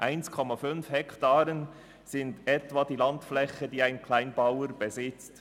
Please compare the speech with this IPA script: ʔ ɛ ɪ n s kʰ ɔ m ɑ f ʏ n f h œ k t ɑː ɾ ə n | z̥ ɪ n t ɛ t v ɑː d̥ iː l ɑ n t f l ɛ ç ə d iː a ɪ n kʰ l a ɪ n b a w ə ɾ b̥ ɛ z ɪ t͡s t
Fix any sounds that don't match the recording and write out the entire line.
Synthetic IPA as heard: ʔ a ɪ n s kʰ ɔ m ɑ f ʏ n f h ɛ k t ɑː ɾ ə n | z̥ ɪ n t ɛ t v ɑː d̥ iː l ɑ n t f l ɛ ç ə d iː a ɪ n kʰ l a ɪ n b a w ə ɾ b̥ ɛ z ɪ t͡s t